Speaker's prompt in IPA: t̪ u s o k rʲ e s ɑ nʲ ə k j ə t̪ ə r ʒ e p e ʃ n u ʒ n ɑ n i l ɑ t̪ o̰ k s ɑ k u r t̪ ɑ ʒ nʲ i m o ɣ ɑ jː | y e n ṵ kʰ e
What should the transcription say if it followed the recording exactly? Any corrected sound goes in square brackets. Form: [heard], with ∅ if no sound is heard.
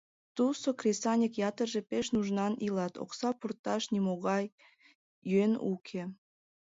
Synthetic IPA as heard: t̪ u s o k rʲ e s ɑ nʲ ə k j [ɑ] t̪ ə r ʒ e p e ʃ n u ʒ n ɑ n i l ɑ t̪ o̰ k s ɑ [p] u r t̪ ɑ [ʃ] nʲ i m o ɣ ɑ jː | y e n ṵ kʰ e